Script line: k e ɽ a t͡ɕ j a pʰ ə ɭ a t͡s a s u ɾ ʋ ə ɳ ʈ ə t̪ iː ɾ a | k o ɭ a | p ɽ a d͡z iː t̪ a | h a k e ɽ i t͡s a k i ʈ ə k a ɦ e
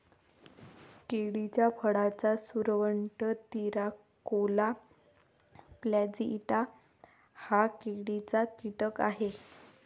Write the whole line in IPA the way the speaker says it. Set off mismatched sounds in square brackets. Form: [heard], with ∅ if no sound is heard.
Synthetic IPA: k e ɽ [i] t͡ɕ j a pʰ ə [ɽ] a t͡s a s u ɾ ʋ ə ɳ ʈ ə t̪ [i] ɾ a | k o [l] a | p [l] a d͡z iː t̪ a | h a k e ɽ i t͡s a k i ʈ ə k a ɦ e